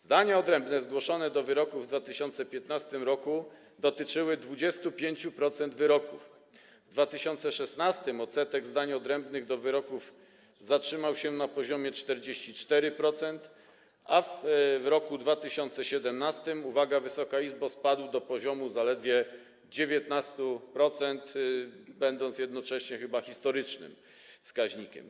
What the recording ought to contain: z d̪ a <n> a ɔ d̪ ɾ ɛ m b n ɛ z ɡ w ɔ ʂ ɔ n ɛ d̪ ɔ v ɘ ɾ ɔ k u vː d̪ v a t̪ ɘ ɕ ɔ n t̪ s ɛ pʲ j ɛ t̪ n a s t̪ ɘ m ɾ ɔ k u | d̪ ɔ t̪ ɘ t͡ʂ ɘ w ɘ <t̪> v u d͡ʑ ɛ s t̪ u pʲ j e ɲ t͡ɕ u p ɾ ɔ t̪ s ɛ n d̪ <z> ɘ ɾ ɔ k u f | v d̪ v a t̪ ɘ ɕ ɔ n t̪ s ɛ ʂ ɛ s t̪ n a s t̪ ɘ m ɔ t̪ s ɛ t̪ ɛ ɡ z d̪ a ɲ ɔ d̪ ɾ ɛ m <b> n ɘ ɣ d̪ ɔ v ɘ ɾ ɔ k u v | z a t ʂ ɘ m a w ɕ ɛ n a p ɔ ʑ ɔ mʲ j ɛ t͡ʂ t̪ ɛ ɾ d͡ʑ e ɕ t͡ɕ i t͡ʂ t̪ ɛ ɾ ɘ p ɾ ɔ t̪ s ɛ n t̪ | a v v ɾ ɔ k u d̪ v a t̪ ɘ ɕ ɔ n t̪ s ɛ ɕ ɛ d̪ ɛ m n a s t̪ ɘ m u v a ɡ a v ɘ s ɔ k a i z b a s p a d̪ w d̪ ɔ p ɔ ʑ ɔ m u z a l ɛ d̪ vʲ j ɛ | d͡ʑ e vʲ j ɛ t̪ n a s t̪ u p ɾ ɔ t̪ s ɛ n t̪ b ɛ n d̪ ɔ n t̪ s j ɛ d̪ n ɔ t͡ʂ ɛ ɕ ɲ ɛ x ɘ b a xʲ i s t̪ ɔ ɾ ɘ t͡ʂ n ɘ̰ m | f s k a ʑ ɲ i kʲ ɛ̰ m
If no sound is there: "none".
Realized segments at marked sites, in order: ɲ, d̪, v, b

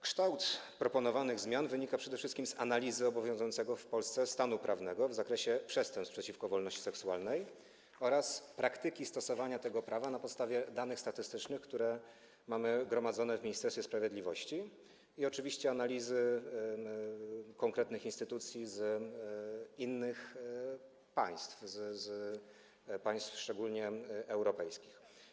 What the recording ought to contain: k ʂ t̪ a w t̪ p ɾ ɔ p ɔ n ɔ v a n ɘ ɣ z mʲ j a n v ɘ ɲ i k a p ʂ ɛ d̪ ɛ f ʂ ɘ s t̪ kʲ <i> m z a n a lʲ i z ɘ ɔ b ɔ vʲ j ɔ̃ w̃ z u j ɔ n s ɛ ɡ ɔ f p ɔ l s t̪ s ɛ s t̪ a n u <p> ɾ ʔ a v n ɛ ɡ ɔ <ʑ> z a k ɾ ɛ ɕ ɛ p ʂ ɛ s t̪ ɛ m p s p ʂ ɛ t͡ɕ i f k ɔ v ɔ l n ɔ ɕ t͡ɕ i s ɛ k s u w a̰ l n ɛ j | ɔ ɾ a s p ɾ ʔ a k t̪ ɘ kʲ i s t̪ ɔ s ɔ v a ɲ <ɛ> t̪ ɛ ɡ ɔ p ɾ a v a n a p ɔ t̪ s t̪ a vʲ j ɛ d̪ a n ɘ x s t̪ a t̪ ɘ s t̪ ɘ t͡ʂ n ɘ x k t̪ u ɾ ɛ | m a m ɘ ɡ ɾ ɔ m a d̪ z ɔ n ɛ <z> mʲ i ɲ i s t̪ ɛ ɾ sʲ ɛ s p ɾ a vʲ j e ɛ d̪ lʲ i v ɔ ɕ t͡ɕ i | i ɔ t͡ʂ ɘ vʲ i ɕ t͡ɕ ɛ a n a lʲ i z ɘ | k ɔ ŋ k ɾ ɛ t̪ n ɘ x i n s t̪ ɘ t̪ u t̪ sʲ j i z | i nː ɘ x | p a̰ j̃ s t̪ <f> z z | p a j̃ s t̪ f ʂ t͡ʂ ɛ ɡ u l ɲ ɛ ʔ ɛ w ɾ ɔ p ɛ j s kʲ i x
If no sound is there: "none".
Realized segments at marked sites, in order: i, p, v, a, v, f

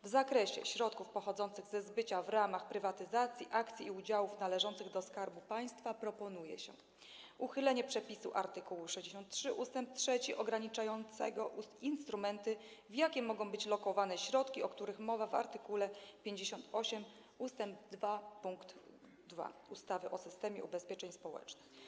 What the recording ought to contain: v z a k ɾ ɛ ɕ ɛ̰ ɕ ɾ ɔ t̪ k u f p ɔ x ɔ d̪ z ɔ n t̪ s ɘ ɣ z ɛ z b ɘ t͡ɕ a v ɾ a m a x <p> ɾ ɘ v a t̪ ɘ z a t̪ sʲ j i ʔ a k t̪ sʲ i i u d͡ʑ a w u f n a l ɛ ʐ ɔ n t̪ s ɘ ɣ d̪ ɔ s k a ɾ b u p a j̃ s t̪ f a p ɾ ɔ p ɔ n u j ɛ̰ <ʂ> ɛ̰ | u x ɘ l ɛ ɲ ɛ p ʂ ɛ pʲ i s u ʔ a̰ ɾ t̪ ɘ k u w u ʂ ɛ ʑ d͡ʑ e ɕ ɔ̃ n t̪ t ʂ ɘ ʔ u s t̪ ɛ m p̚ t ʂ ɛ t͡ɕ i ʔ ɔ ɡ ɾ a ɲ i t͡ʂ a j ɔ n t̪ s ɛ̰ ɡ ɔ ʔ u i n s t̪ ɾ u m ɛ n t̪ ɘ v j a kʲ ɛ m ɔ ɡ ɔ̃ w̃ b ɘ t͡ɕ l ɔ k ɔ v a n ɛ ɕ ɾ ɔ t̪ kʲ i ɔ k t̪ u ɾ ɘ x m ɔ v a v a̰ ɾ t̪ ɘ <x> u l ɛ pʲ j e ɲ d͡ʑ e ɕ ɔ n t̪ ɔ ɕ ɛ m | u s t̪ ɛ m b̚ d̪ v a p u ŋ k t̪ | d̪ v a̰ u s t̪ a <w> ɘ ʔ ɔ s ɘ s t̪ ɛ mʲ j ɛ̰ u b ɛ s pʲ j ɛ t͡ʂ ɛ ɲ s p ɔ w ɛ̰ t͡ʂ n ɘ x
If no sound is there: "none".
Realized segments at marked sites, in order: p, ɕ, k, v

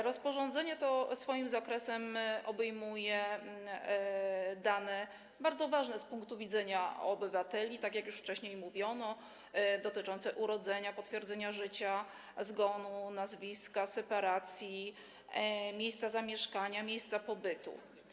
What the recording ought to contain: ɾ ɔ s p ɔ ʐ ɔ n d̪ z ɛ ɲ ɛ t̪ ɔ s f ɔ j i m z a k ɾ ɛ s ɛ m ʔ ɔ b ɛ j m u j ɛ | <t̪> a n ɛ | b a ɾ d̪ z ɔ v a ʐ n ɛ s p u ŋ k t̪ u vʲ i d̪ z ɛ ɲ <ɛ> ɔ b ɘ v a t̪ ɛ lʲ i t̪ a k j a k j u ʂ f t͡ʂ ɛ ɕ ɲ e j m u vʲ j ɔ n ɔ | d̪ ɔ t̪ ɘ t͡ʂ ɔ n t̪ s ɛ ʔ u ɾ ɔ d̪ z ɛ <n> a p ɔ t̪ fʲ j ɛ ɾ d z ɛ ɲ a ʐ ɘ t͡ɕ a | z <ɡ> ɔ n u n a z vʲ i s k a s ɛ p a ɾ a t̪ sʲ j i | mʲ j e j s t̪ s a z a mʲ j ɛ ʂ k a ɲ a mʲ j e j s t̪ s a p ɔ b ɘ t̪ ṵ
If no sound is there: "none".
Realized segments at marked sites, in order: d̪, a, ɲ, ɡ

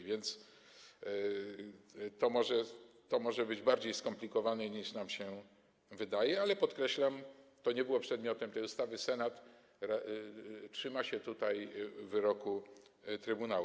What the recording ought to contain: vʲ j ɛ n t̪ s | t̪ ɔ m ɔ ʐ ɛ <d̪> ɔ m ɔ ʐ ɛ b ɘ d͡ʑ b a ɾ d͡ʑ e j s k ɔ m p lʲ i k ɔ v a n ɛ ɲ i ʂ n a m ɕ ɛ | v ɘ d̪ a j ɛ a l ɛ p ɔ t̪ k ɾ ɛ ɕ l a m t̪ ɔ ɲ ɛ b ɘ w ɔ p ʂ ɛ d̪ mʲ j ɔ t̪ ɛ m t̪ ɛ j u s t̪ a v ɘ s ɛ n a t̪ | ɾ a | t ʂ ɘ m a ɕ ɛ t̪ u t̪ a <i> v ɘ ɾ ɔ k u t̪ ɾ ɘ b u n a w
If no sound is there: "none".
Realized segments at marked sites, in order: t̪, j

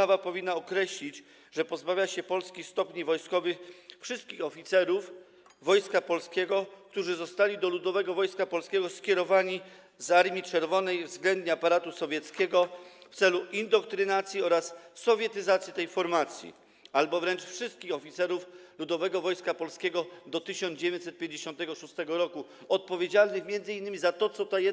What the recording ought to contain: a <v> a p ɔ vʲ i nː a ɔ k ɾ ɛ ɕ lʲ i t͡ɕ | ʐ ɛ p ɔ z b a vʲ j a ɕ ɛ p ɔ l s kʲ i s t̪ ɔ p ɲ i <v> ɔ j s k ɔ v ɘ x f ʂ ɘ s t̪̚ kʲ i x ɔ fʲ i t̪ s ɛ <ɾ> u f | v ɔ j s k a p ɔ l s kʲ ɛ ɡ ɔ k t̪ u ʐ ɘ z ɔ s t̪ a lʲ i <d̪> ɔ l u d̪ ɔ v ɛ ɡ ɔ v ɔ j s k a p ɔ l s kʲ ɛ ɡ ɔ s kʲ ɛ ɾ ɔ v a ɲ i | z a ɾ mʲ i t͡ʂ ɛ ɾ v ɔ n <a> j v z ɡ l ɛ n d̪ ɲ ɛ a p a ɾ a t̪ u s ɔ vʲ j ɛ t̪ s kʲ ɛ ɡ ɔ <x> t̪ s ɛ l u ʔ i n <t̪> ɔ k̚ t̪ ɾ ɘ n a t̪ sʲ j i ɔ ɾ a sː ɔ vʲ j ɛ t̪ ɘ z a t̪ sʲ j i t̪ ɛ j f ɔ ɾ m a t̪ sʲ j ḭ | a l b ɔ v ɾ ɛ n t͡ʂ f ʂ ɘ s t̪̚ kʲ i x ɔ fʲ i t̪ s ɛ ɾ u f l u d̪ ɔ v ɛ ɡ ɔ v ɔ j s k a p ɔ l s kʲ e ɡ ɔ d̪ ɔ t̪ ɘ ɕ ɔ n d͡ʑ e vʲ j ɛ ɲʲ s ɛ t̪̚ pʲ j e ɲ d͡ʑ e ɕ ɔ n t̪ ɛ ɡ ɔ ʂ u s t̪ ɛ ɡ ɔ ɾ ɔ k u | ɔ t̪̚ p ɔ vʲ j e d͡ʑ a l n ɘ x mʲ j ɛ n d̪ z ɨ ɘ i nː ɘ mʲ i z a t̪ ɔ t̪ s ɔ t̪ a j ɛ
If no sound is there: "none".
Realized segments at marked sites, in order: v, v, ɾ, d̪, ɛ, f, d̪

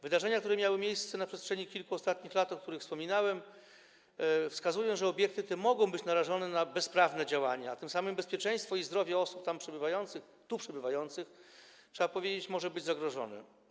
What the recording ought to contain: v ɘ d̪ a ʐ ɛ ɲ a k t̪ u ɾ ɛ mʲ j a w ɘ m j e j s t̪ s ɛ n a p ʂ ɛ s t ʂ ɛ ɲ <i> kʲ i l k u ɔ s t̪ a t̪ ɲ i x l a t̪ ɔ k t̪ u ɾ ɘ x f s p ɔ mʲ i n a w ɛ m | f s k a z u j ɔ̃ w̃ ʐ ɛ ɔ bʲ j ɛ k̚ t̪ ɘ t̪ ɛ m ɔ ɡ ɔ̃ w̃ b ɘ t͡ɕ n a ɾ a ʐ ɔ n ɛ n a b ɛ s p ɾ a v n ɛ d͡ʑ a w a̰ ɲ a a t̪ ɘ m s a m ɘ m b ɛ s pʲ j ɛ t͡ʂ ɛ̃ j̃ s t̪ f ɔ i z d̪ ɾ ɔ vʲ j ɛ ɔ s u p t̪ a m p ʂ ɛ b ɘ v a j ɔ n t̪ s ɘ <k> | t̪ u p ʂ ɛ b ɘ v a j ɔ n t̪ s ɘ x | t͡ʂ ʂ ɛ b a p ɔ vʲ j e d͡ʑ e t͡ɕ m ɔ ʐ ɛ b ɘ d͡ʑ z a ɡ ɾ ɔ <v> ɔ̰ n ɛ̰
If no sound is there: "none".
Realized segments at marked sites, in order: i, x, ʐ

